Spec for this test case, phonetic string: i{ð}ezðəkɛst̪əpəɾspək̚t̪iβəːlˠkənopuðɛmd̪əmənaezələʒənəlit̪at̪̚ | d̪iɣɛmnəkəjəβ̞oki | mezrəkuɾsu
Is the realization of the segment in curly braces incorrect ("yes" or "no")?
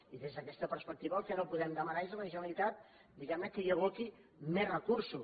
no